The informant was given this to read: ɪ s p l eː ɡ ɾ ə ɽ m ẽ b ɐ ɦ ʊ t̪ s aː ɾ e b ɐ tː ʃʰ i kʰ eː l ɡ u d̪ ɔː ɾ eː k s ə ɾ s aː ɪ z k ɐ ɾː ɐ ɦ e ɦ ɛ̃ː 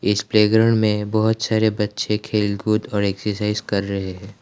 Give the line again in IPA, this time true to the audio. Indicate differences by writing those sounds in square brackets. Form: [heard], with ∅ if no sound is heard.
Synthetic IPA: ɪ s p l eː ɡ ɾ ə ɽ m ẽ b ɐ ɦ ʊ t̪ s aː ɾ e b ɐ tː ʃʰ [e] kʰ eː l ɡ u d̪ ɔː ɾ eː k s ə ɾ s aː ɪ z k ɐ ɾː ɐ ɦ e ɦ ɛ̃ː